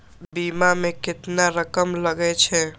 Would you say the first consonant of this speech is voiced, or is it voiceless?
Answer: voiced